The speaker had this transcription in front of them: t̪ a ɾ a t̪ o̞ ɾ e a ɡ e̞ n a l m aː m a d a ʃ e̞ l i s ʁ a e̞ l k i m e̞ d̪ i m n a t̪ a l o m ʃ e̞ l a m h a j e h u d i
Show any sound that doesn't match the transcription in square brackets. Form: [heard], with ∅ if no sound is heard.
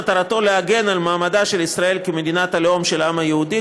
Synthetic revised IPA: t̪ a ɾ a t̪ o̞ [l] e a ɡ e̞ n a l m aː m a d a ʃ e̞ l i s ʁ a e̞ l k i m e̞ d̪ i [∅] n a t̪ a l o m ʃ e̞ l a m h a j e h u d i